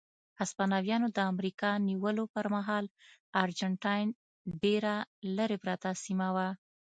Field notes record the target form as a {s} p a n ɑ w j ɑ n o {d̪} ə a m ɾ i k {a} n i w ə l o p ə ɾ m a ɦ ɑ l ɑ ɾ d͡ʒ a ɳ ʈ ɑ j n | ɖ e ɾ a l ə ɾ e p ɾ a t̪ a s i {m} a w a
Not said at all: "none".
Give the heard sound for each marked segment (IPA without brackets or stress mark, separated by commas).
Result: s, d̪, ɑ, m